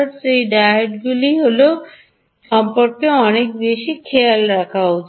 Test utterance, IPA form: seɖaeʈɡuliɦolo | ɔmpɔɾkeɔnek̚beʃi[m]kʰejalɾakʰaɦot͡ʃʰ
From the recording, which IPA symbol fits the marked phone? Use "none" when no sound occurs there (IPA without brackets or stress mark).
none